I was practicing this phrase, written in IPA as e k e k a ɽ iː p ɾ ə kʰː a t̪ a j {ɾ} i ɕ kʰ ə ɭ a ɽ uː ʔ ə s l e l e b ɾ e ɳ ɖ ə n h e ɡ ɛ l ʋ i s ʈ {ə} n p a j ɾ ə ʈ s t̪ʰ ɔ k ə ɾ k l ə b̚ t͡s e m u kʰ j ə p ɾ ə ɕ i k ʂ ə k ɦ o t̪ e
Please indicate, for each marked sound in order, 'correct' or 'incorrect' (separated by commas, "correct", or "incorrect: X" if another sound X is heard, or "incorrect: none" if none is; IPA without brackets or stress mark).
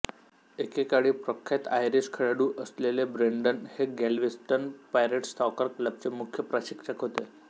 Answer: correct, correct